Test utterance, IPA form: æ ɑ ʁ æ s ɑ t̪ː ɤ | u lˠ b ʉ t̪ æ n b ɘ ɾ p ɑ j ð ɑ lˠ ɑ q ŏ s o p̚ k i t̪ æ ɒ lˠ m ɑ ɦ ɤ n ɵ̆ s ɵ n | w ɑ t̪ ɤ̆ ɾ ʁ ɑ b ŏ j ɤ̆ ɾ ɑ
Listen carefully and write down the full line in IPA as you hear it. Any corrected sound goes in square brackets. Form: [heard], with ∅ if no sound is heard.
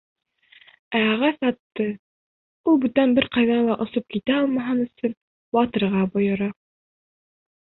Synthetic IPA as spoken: æ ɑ ʁ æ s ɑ t̪ː ɤ | u lˠ b ʉ t̪ æ n b ɘ ɾ [q] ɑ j ð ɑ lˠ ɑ [ʔ] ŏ s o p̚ k i t̪ æ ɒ lˠ m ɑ ɦ ɤ n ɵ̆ s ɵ n | w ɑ t̪ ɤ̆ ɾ ʁ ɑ b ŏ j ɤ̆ ɾ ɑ